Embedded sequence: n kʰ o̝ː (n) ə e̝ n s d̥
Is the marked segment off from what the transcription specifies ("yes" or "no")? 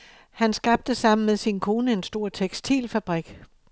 no